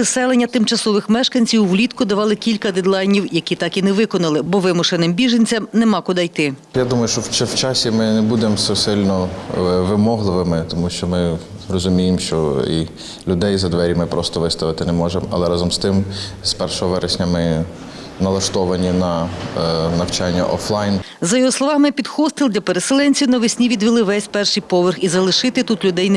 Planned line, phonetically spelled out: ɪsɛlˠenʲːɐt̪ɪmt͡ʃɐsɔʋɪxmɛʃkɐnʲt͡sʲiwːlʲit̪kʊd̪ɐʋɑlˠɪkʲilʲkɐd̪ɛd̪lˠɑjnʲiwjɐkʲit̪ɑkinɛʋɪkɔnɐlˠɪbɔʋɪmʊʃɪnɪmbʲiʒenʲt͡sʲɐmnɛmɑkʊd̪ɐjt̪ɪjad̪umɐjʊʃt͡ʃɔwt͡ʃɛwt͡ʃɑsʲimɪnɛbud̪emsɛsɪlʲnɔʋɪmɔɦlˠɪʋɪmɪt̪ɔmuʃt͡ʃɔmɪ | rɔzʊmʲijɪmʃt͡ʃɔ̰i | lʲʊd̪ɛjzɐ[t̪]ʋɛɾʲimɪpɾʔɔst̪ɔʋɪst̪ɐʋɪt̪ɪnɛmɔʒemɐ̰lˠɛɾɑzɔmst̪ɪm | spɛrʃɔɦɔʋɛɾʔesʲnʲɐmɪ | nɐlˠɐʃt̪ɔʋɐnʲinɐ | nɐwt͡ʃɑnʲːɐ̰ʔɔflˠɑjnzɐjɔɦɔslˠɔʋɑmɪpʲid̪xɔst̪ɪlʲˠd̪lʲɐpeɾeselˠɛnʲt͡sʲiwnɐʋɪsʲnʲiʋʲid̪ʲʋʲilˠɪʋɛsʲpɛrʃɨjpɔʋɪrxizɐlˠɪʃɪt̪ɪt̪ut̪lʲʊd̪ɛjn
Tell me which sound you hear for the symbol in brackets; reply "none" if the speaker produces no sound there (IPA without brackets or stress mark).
d̪